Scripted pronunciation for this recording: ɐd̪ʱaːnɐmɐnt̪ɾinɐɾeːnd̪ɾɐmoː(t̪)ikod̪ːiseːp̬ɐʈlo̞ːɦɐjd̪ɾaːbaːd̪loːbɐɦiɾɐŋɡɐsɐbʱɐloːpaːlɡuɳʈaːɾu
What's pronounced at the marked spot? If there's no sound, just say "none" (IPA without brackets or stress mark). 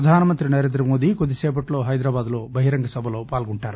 d̪